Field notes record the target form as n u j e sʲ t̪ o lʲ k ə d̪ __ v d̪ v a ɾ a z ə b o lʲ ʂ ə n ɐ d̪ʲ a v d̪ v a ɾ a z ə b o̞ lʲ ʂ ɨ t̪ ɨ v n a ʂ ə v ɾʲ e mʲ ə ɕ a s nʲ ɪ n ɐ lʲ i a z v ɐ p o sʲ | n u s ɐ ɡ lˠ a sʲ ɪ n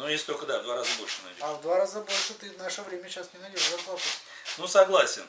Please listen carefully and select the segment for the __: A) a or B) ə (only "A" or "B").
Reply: A